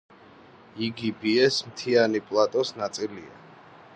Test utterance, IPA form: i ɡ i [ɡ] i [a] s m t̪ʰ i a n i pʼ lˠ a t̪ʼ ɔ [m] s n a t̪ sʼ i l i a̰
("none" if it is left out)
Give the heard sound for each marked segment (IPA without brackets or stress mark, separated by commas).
b, ɛ, none